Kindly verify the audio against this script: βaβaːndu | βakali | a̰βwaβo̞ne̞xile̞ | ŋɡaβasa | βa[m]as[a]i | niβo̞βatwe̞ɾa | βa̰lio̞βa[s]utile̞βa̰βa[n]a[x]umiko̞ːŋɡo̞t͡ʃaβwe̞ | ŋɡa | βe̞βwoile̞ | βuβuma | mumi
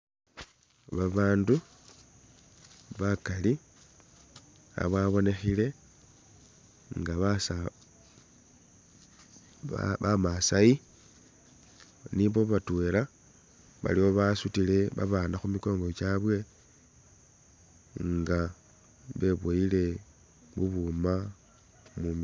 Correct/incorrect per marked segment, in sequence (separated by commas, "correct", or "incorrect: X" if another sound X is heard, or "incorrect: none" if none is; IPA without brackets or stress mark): correct, correct, correct, correct, correct